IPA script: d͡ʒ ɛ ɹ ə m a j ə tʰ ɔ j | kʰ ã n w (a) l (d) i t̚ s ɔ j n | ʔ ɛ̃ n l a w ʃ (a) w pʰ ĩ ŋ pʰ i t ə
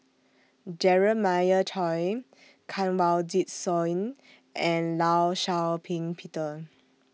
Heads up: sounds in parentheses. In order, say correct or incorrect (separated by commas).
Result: correct, correct, correct